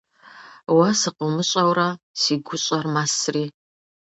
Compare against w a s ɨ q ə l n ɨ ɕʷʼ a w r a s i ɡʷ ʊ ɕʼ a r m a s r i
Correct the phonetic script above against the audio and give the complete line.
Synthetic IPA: w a s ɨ q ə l m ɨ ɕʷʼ a w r a s i ɡʷ ʊ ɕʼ a r m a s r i